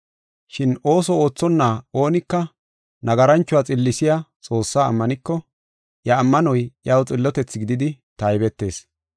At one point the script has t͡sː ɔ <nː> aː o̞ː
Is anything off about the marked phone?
no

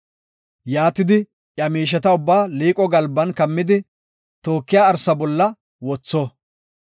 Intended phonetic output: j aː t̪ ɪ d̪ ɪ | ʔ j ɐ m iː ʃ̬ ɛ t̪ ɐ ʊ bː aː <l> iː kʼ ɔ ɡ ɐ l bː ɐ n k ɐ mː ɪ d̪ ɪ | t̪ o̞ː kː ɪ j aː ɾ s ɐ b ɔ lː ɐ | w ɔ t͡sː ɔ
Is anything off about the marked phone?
no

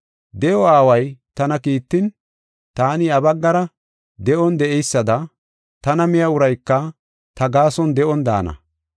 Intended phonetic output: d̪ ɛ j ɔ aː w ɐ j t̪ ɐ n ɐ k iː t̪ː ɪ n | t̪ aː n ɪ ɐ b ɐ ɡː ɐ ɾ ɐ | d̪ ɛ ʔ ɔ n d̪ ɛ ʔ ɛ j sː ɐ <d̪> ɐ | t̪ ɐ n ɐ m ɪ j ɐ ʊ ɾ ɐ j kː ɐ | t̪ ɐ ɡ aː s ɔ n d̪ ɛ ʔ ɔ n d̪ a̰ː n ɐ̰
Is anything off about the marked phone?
no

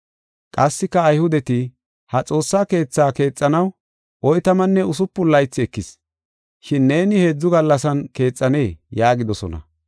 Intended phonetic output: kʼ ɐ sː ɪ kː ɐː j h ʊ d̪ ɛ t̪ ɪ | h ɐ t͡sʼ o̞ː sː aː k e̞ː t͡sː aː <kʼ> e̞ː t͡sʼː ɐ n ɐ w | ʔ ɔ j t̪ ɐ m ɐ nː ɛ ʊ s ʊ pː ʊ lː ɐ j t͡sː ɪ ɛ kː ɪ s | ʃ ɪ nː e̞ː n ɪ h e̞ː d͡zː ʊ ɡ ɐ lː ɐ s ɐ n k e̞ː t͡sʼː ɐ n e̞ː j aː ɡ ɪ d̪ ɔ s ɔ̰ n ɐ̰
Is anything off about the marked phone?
yes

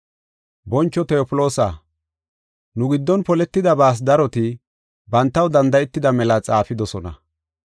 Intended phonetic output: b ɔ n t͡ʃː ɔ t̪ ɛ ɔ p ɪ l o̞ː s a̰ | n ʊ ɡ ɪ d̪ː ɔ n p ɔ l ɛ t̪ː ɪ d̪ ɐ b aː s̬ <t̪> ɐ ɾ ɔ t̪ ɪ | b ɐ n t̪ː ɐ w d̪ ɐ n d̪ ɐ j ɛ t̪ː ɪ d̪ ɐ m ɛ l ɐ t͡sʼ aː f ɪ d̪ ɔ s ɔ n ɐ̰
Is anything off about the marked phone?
yes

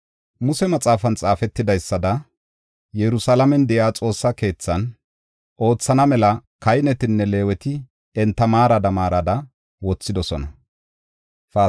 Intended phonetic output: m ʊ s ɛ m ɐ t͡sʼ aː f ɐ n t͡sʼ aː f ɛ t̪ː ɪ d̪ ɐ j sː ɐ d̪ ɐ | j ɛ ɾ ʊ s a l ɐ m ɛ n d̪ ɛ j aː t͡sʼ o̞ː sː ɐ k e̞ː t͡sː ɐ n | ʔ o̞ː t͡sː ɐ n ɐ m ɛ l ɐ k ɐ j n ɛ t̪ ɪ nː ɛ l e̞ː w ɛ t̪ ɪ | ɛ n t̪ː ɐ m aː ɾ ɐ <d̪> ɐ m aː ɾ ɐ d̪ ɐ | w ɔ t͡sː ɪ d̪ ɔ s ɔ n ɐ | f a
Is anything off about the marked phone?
no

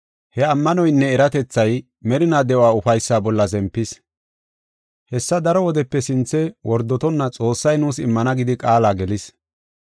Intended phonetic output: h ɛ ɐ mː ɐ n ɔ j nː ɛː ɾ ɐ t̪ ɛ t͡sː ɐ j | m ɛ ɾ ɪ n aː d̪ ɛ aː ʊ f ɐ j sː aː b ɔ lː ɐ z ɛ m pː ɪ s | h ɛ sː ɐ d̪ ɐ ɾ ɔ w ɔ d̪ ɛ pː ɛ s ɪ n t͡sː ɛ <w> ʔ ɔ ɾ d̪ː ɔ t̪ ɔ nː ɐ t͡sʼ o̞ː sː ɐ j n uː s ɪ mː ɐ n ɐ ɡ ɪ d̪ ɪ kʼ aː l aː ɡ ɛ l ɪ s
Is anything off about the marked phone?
no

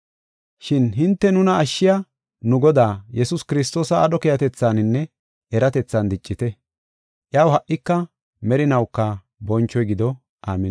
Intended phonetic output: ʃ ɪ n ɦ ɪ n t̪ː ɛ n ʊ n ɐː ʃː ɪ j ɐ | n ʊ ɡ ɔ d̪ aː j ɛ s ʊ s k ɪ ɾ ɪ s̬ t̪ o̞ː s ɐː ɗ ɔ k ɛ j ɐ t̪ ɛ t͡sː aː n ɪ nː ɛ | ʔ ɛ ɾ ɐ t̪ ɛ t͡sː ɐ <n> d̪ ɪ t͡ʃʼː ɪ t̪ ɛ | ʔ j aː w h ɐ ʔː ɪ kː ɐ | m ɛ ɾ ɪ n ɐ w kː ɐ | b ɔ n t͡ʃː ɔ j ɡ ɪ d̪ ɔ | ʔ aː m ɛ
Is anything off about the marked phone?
no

